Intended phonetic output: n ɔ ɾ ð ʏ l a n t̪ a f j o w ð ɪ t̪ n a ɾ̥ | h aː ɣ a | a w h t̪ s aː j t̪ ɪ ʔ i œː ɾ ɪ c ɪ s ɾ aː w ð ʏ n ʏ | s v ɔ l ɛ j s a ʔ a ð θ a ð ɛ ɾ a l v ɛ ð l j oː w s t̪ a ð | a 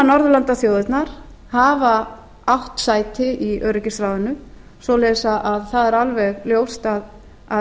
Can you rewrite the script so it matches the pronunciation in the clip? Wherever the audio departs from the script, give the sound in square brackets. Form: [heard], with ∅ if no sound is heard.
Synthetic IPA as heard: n ɔ ɾ ð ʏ l a n t̪ a [θ] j o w ð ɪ t̪ n a ɾ̥ | h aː [v] a | a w h t̪ s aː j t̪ ɪ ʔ i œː ɾ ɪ c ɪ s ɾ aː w ð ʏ n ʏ | s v ɔ l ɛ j s a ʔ a ð θ a ð ɛ ɾ a l v ɛ [ɣ] l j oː w s t̪ a ð | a